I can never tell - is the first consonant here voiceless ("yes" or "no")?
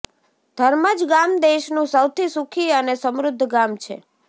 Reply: no